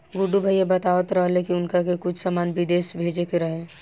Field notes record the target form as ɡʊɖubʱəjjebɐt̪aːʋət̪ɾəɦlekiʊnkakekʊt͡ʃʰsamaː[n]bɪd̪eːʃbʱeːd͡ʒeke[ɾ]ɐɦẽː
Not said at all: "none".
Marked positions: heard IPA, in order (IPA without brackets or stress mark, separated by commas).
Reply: n, ɾ